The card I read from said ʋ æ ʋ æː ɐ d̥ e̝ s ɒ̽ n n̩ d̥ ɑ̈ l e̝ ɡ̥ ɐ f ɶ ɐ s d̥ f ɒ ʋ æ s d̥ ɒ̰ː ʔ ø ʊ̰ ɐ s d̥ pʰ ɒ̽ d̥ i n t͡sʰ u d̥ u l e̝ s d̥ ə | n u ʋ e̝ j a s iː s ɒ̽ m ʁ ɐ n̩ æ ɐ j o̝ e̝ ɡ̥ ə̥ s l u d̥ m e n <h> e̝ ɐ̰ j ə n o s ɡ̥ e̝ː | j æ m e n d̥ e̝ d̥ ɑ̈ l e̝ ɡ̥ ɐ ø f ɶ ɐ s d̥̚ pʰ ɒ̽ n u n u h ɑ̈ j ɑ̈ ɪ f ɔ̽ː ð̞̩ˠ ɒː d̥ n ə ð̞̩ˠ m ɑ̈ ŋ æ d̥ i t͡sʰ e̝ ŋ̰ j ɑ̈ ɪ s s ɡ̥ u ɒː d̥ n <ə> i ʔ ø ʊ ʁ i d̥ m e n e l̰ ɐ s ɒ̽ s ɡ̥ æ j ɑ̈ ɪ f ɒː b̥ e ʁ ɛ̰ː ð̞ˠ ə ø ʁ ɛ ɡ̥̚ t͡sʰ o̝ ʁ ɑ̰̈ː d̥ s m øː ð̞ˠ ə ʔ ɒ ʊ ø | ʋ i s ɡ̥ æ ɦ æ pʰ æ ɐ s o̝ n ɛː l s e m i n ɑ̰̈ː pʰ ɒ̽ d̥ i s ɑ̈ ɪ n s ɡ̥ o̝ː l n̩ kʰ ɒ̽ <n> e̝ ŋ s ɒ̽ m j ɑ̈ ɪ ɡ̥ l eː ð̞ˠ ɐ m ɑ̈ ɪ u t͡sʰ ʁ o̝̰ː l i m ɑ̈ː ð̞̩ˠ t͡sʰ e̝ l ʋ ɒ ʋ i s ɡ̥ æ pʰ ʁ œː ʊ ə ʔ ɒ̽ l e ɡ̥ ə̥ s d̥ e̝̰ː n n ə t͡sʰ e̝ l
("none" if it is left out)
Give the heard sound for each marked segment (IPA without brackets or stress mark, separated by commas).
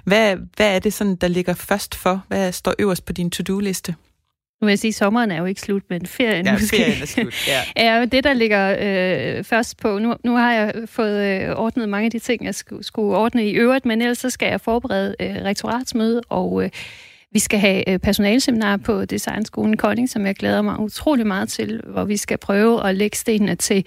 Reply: f, ə, n